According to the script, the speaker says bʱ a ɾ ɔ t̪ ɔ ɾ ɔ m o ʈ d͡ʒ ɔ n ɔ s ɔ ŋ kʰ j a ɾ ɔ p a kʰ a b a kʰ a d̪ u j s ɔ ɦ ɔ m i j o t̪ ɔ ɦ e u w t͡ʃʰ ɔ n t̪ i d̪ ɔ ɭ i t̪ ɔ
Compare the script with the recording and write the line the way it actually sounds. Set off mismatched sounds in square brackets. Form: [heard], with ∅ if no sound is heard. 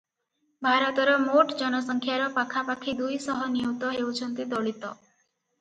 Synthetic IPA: bʱ a ɾ ɔ t̪ ɔ ɾ ɔ m o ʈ d͡ʒ ɔ n ɔ s ɔ ŋ kʰ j a ɾ ɔ p a kʰ a [p] a kʰ [i] d̪ u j s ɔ ɦ ɔ [n] i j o t̪ ɔ ɦ e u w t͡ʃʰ ɔ n t̪ i d̪ ɔ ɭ i t̪ ɔ